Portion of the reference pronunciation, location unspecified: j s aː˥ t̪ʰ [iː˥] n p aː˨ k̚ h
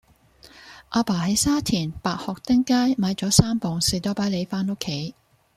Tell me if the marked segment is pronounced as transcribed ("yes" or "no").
no